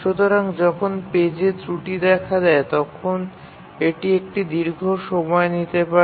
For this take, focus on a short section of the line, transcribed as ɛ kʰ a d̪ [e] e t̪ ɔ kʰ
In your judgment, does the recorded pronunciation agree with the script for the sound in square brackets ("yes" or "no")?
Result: no